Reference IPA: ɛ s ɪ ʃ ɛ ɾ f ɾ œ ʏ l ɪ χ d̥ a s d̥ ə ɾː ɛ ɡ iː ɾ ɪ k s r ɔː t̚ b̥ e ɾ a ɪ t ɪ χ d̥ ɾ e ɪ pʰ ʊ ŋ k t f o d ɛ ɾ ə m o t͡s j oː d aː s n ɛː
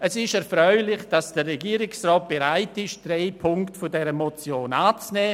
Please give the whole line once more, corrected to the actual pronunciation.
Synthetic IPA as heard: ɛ s ɪ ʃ ɛ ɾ f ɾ œ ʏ l ɪ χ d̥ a s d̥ ə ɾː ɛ ɡ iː ɾ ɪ k s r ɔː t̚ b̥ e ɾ a ɪ t ɪ ʃ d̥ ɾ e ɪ pʰ ʊ ŋ k t f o d ɛ ɾ ə m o t͡s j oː n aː t͡s n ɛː